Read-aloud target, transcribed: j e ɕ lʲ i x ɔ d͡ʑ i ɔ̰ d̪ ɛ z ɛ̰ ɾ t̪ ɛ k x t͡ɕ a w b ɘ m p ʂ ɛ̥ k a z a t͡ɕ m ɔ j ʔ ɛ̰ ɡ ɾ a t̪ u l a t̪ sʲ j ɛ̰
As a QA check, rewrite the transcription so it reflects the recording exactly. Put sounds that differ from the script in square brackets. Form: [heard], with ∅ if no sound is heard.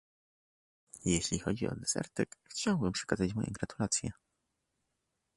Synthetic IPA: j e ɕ lʲ i x ɔ d͡ʑ i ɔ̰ d̪ ɛ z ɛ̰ ɾ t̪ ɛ k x t͡ɕ a w b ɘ m p ʂ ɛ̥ k a z a t͡ɕ m ɔ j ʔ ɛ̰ ɡ ɾ a t̪ u l a t̪ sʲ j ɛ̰